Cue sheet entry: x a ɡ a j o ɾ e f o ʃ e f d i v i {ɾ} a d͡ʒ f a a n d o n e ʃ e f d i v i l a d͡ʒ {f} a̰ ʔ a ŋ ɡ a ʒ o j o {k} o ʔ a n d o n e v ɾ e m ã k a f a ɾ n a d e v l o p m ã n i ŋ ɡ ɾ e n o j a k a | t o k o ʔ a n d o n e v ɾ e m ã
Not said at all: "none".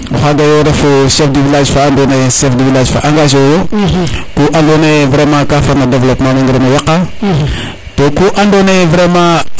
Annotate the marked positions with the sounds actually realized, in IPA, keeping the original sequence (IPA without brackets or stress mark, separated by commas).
l, f, k